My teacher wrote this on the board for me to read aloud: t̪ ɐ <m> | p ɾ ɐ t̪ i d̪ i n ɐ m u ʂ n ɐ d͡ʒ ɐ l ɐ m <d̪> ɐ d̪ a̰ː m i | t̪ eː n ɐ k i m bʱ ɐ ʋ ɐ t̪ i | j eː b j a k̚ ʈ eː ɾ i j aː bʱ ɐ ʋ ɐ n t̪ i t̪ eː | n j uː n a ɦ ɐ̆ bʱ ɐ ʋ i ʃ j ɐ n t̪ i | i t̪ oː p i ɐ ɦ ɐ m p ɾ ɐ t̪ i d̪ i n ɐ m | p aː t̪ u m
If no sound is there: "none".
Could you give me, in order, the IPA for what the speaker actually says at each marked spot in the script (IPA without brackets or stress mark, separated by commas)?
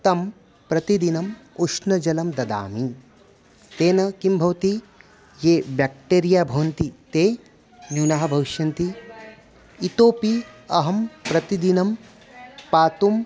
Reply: m, d̪